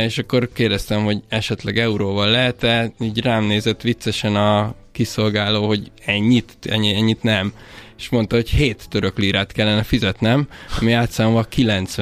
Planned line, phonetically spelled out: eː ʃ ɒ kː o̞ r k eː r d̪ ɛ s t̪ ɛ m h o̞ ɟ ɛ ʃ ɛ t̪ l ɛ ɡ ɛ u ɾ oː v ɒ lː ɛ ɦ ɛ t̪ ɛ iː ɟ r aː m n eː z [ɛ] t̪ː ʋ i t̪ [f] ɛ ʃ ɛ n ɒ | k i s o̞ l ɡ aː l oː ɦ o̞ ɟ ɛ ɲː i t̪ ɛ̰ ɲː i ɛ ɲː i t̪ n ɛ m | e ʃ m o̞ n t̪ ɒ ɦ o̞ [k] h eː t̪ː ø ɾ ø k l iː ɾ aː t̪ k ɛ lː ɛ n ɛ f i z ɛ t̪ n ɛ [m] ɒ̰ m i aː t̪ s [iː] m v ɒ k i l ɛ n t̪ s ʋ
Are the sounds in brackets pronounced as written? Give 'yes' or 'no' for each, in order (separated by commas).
yes, no, no, yes, no